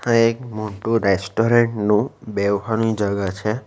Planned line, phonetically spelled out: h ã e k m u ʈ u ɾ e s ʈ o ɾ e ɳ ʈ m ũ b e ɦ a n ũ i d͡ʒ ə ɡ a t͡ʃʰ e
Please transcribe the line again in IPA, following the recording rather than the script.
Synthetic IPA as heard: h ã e k m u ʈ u ɾ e s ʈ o ɾ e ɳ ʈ n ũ b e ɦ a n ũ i d͡ʒ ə ɡ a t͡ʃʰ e